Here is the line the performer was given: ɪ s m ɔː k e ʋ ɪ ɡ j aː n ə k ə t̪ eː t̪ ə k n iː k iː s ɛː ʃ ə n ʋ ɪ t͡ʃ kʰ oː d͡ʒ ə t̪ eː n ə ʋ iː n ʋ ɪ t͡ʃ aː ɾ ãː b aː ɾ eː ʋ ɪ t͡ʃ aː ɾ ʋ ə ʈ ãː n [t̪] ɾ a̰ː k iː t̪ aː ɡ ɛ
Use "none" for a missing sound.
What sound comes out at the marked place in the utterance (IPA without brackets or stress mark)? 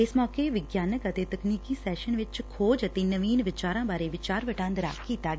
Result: d̪